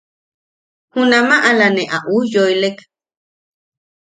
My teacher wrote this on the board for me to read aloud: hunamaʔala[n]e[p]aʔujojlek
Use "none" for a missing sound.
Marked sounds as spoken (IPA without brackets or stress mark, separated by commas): n, ʔ